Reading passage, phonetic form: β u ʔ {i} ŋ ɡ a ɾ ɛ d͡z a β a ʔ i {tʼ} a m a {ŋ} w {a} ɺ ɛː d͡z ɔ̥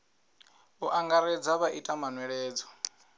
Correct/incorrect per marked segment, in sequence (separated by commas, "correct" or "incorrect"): incorrect, correct, incorrect, incorrect